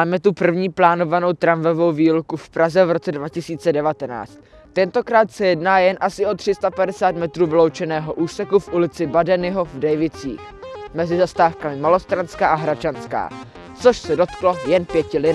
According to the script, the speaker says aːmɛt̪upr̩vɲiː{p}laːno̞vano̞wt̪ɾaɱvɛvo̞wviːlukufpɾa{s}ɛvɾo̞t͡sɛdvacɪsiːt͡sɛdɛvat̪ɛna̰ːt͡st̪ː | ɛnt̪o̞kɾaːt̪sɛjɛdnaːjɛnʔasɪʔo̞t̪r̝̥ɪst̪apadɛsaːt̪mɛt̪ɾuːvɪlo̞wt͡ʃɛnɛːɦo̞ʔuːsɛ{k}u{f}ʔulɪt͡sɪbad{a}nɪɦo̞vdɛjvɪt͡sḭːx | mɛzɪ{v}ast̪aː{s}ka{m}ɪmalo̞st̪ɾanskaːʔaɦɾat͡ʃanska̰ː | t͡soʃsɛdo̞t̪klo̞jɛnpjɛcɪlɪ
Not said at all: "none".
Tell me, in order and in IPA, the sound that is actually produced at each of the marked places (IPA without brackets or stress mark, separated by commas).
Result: p, z, k, f, ɛ, z, f, m